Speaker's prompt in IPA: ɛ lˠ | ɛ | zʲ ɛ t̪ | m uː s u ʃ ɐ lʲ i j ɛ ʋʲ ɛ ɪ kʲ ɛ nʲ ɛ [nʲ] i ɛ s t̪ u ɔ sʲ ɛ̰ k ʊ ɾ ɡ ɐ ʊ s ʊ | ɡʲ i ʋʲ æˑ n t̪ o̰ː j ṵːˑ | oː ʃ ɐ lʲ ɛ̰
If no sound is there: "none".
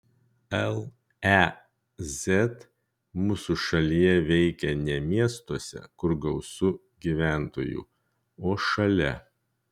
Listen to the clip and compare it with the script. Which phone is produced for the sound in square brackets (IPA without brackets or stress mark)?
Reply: mʲ